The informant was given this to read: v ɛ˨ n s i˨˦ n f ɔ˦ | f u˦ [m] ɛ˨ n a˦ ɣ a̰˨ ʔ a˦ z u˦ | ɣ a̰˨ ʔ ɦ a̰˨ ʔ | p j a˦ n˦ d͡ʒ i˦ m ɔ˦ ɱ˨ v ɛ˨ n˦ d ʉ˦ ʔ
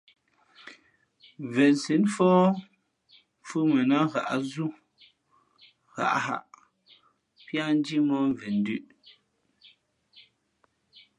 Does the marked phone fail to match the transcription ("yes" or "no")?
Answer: no